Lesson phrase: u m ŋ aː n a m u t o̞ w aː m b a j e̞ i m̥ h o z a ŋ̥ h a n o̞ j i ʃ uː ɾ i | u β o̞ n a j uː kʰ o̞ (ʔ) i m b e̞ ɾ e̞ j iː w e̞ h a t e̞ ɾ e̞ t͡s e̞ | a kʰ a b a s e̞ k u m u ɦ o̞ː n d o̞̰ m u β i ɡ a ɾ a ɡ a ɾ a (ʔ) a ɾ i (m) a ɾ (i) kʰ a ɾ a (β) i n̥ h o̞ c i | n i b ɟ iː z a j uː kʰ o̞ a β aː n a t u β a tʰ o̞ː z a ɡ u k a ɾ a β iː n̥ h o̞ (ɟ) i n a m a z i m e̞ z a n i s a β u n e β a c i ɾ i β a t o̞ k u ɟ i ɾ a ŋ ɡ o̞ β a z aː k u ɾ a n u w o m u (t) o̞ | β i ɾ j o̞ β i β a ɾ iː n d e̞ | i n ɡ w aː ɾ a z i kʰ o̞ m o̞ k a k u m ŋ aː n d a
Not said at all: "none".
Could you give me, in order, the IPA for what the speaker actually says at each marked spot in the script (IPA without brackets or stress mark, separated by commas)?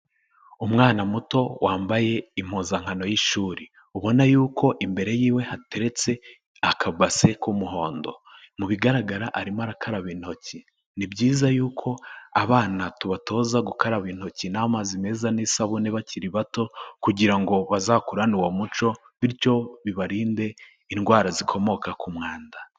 ʔ, ʔ, m, a, β, c, t͡ʃ